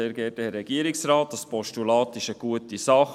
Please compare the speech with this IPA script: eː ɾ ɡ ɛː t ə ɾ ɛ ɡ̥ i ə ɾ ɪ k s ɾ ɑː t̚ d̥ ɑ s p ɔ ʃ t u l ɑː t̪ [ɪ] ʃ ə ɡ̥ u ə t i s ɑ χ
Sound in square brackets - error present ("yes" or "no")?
no